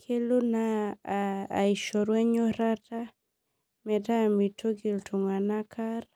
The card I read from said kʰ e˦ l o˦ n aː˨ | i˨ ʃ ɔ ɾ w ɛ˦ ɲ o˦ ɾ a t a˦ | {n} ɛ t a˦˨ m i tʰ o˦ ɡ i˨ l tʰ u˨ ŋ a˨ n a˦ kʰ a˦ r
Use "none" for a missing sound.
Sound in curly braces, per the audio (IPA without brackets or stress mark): m